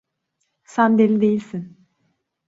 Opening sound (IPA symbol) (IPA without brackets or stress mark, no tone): s